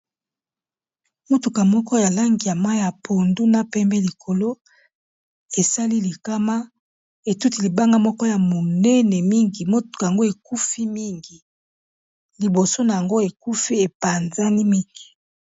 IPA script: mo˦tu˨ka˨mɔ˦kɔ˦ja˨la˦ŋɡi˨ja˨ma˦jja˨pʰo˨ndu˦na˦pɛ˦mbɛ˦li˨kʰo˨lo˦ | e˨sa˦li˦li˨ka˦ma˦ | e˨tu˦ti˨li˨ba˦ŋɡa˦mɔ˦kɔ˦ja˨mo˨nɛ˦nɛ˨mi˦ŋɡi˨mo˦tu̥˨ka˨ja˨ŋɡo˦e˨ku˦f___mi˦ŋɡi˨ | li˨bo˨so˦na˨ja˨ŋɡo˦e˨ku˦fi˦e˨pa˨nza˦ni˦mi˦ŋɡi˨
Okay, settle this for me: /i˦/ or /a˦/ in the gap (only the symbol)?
i˦